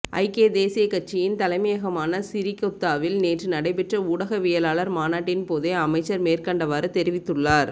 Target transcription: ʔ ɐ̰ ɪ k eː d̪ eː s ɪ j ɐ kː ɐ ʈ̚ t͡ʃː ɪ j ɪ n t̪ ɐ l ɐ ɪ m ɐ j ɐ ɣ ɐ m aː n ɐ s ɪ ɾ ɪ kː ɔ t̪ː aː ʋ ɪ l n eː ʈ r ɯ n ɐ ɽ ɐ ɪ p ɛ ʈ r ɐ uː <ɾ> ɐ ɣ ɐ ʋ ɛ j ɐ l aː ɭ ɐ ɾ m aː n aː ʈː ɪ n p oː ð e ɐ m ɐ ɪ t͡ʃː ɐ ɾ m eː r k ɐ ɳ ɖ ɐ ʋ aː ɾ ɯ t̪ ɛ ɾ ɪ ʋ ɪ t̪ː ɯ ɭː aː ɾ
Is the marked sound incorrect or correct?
incorrect: ɽ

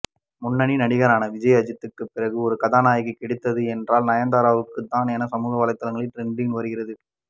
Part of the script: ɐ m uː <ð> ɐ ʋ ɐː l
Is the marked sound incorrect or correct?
incorrect: ɣ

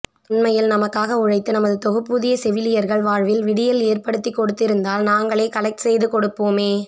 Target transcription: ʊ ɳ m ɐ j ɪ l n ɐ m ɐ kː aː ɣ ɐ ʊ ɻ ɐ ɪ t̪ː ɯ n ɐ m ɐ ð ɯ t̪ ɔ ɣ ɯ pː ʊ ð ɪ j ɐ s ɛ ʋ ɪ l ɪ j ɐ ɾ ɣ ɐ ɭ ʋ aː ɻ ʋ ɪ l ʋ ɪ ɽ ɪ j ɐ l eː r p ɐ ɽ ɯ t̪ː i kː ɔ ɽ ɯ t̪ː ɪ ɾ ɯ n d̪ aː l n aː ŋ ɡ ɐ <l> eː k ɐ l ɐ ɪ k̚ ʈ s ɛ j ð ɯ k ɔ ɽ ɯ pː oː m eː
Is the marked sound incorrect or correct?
incorrect: ɭ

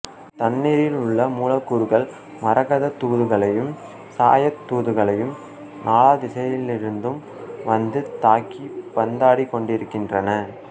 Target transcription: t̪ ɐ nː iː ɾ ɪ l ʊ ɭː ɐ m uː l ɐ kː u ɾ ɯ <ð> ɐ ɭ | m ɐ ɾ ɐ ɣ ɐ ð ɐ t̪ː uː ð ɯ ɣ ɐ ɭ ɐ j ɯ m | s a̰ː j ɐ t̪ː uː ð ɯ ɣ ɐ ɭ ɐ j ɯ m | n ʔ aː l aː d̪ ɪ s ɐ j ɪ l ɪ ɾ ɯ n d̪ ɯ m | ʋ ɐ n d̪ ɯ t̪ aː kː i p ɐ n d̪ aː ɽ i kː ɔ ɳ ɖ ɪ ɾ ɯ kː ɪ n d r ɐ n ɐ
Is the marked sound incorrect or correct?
incorrect: ɣ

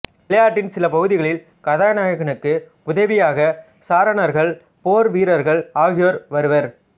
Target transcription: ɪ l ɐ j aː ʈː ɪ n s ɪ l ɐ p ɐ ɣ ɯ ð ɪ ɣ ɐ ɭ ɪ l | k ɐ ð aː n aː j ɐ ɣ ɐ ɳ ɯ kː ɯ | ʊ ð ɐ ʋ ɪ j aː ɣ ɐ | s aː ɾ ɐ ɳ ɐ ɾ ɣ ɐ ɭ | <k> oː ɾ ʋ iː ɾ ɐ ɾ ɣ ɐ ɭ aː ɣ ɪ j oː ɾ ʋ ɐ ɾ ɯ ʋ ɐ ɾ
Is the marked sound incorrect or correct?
incorrect: p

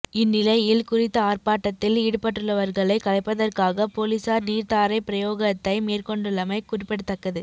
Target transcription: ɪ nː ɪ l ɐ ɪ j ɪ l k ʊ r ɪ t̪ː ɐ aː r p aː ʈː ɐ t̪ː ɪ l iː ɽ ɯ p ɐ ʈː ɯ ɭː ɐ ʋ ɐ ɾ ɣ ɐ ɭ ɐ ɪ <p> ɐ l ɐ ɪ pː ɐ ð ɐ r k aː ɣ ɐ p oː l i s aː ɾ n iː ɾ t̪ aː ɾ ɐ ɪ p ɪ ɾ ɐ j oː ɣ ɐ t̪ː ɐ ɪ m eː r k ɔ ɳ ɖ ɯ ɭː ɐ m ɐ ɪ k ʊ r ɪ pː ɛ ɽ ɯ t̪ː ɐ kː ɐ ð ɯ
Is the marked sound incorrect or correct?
incorrect: k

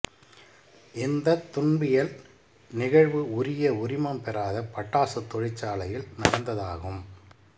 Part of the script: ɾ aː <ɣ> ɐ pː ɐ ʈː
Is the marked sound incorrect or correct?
incorrect: ð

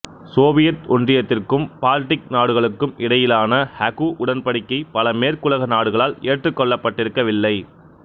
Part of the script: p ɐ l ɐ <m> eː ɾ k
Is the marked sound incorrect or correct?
correct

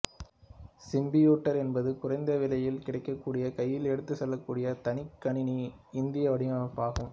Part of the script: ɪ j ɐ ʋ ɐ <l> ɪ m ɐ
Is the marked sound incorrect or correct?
incorrect: ɽ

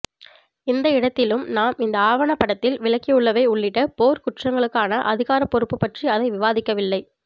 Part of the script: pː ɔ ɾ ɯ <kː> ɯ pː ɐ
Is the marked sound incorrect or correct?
incorrect: pː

